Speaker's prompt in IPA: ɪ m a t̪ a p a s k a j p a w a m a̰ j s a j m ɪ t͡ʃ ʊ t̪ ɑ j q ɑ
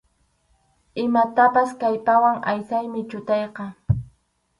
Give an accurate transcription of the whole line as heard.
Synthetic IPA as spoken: ɪ m a t̪ a p a s k a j p a w a ŋ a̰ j s a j m ɪ t͡ʃ ʊ t̪ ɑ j q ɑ